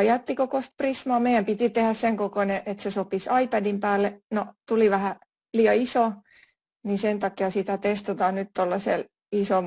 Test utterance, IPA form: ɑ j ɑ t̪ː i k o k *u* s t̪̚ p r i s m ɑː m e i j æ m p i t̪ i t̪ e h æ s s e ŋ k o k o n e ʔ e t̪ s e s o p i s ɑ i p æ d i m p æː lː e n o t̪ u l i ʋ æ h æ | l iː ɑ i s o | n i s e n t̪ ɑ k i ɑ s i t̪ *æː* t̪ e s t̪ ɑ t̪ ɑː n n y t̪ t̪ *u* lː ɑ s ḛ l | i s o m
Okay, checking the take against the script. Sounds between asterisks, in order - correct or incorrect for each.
incorrect, incorrect, incorrect

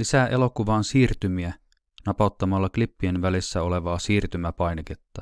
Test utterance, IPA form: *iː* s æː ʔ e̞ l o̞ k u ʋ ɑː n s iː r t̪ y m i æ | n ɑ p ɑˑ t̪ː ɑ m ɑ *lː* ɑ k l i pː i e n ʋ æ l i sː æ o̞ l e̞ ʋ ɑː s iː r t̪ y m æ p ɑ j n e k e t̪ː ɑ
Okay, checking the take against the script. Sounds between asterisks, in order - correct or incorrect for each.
incorrect, correct

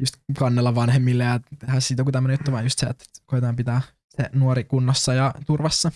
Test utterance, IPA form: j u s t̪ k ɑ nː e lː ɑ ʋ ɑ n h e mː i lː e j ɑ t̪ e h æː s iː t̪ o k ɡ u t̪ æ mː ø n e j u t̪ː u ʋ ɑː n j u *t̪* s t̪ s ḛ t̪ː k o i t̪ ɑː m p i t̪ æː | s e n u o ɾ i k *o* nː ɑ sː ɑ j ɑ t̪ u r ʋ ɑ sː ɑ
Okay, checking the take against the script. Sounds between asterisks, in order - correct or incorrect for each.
incorrect, incorrect

